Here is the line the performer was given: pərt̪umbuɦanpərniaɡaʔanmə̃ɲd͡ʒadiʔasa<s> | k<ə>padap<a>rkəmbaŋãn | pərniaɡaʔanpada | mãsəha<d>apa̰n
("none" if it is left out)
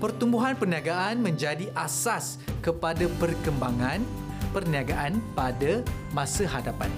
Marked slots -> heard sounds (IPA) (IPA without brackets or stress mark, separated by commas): s, ə, ə, d